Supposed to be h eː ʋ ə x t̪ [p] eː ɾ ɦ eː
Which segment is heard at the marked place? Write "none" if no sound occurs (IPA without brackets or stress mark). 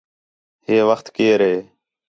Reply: k